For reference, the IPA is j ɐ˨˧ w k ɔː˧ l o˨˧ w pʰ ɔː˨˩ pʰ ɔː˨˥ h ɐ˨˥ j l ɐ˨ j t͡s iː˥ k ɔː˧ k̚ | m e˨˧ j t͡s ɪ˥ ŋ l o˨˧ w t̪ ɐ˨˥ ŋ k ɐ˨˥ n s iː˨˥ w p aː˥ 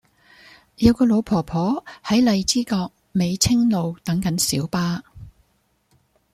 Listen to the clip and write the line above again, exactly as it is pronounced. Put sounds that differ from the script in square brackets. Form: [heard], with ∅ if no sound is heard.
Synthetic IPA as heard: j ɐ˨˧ w k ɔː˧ l o˨˧ w pʰ ɔː˨˩ pʰ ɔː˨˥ h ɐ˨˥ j l ɐ˨ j t͡s iː˥ k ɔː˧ k̚ | m e˨˧ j [t͡sʰ] ɪ˥ ŋ l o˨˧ w t̪ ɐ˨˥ ŋ k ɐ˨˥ n s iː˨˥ w p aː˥